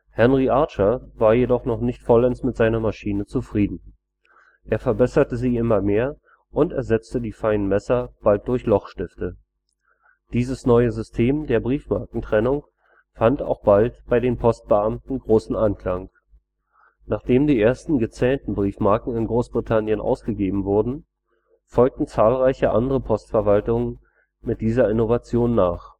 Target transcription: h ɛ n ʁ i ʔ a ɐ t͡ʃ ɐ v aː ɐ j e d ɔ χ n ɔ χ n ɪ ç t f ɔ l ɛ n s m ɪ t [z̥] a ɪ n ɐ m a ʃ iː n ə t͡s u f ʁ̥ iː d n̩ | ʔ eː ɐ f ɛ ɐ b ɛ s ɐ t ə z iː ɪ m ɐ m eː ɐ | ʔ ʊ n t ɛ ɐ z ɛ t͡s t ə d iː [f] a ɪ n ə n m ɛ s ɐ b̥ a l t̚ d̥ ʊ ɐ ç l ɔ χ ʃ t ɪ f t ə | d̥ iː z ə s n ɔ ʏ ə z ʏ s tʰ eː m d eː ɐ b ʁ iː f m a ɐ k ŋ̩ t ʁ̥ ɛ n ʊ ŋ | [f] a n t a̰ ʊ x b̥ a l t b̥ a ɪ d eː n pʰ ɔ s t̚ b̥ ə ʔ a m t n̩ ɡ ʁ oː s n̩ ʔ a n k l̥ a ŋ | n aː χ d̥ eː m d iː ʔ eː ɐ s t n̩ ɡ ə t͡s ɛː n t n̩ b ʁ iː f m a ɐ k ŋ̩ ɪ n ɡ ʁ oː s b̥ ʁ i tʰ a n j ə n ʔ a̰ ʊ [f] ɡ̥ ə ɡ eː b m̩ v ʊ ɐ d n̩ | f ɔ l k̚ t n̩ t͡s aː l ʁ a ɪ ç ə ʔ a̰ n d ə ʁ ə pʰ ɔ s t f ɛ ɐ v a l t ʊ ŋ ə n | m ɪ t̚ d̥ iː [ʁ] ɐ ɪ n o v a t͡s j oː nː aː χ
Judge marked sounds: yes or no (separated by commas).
yes, yes, yes, no, no